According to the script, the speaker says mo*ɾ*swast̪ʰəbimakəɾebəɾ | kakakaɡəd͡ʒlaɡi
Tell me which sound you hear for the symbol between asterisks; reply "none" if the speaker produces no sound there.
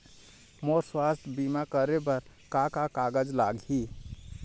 ɾ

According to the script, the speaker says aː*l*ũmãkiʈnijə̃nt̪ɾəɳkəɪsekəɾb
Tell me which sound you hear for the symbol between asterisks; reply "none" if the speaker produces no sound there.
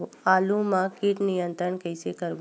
l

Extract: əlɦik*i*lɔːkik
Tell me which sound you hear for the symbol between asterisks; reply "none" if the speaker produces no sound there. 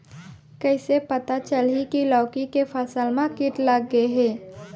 i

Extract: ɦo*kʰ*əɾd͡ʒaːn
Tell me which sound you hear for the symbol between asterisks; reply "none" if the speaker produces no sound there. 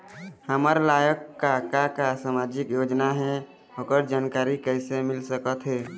k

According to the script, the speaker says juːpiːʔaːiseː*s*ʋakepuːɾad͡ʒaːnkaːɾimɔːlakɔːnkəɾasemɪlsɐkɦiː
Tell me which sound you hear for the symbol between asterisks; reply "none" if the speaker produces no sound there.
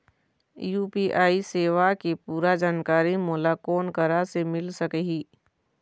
none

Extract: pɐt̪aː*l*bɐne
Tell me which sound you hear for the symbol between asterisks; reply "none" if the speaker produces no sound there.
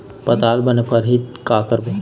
l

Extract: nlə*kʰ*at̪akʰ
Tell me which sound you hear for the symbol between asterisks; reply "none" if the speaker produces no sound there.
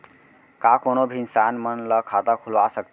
kʰ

